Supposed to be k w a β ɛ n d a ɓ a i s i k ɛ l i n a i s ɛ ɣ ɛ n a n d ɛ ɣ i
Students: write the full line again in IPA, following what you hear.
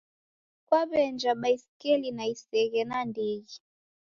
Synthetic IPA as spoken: k w a β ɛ n d͡ʒ a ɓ a i s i k ɛ l i n a i s ɛ ɣ ɛ n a n d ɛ ɣ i